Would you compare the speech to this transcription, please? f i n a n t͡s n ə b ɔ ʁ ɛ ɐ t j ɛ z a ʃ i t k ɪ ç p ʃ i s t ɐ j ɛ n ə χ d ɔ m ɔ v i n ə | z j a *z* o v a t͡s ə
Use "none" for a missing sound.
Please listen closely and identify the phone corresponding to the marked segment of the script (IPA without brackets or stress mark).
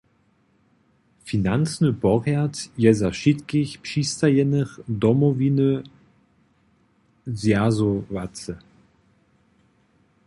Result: z